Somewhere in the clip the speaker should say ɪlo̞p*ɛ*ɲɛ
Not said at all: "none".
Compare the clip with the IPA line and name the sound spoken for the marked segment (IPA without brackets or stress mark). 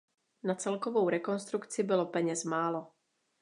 ɛ